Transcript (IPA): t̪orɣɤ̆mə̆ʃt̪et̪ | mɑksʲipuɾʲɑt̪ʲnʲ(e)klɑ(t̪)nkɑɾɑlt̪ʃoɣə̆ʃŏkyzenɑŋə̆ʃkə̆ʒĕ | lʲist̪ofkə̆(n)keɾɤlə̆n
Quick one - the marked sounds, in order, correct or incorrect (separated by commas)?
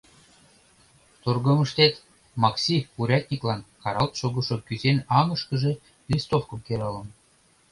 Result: incorrect, incorrect, incorrect